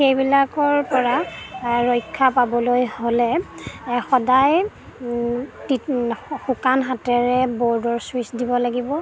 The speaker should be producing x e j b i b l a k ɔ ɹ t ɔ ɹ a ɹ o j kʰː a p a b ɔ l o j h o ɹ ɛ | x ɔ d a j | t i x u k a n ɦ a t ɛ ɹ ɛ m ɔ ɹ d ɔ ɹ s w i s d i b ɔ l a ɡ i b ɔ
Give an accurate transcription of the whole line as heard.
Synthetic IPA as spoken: x e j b i l a k ɔ ɹ p ɔ ɹ a ɹ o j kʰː a p a b ɔ l o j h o l ɛ | x ɔ d a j | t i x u k a n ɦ a t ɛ ɹ ɛ b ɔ ɹ d ɔ ɹ s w i s d i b ɔ l a ɡ i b ɔ